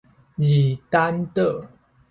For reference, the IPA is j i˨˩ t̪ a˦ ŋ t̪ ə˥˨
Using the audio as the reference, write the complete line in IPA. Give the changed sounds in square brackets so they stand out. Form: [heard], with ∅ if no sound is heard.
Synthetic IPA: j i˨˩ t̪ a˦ [n] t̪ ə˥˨